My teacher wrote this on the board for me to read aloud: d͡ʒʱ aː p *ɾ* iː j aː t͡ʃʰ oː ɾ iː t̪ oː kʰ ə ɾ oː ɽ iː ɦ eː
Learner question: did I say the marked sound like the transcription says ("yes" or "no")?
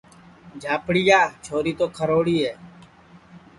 no